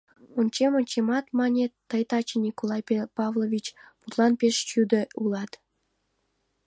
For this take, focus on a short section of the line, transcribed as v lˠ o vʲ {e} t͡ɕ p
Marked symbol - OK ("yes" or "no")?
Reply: no